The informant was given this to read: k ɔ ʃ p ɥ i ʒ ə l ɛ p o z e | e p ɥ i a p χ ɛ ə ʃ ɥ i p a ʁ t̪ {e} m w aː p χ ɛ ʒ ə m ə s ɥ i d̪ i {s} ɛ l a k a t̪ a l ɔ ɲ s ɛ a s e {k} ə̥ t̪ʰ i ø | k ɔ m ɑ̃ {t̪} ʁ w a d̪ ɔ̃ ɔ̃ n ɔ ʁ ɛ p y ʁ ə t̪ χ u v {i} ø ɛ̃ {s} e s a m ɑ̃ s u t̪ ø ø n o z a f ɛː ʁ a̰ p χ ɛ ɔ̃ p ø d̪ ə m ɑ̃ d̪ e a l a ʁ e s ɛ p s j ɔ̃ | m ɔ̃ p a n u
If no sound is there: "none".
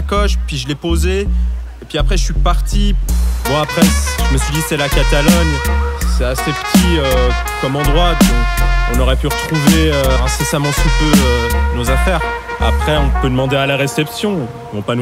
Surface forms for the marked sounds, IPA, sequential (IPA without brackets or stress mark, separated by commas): i, s, p, d̪, e, s